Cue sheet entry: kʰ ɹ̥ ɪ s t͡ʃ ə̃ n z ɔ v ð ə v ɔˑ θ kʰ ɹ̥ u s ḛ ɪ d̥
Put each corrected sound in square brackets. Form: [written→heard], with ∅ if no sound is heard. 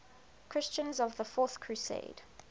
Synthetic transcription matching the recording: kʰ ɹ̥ ɪ s t͡ʃ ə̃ n z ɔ v ð ə [v→f] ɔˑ θ kʰ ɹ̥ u s ḛ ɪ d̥